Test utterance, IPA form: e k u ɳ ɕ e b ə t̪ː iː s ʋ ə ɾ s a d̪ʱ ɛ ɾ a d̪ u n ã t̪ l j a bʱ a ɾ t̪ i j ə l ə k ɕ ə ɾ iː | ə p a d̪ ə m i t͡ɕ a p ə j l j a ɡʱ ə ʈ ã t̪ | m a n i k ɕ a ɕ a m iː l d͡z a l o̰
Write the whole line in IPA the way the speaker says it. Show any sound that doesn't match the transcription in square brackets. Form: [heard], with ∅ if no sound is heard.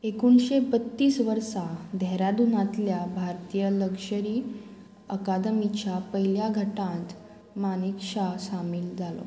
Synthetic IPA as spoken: e k u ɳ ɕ e b ə t̪ː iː s ʋ ə ɾ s a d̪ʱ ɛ ɾ a d̪ u n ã t̪ l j a bʱ a ɾ t̪ i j ə l ə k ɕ ə ɾ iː | ə [k] a d̪ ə m i t͡ɕ a p ə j l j a ɡʱ ə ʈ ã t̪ | m a n i k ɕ a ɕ a m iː l d͡z a l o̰